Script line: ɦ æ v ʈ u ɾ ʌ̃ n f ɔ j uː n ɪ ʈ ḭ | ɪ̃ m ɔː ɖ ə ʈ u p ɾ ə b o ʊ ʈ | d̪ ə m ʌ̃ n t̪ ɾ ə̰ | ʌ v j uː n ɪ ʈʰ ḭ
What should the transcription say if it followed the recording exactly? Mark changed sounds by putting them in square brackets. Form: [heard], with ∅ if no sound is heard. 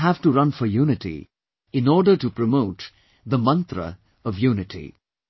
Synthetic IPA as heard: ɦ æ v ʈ u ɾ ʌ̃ n f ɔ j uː n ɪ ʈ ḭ | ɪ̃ [n] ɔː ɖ ə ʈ u p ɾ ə [m] o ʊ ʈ | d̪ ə m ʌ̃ n t̪ ɾ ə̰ | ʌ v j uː n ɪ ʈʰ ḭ